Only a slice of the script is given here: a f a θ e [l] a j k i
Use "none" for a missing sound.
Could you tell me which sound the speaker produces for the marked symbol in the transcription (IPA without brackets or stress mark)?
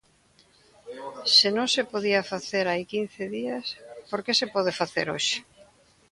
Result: ɾ